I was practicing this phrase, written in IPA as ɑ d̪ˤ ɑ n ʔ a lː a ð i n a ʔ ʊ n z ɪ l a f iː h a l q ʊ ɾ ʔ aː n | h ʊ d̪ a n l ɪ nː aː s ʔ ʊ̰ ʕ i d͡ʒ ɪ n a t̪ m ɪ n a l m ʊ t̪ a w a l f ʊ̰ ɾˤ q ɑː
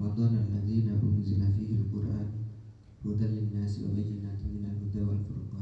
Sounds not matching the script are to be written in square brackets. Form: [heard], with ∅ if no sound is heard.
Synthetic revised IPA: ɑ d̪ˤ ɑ n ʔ a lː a ð [iː] n a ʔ ʊ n z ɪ l a f iː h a l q ʊ ɾ ʔ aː n | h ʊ d̪ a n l ɪ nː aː s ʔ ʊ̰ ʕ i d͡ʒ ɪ n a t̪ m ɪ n a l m ʊ [d̪] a w a l f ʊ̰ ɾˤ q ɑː